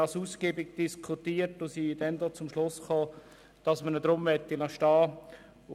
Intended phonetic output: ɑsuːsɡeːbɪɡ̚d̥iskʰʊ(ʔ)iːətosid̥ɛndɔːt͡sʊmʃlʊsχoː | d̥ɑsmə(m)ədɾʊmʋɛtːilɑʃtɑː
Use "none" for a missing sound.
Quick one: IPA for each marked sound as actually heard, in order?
t, n

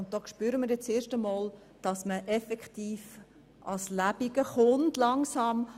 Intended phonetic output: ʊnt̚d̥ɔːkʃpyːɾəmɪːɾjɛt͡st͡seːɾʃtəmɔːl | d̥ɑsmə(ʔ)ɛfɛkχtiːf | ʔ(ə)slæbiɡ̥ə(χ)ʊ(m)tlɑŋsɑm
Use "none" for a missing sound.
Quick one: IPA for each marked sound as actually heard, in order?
ʔ, ɑ, χ, n

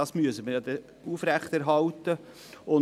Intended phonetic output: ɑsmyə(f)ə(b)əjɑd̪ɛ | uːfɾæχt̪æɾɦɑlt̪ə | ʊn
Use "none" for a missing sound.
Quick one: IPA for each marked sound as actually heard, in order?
s, m

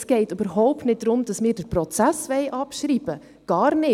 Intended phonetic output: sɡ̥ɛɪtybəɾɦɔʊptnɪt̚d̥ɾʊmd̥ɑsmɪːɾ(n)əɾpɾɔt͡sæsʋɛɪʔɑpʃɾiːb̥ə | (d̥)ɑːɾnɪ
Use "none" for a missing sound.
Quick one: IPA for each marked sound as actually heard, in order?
d, ɡ̥

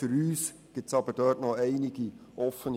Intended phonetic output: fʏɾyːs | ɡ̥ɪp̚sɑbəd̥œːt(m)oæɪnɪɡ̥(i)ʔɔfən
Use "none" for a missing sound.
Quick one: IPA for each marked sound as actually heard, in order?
n, i

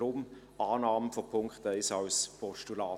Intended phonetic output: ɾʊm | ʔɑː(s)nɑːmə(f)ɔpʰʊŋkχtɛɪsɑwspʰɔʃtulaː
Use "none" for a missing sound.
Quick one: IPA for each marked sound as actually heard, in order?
none, f

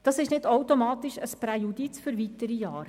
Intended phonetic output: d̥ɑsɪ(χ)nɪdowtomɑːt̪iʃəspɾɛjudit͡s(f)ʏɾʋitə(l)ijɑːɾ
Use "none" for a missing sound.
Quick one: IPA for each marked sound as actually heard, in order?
ʃ, f, ɾ

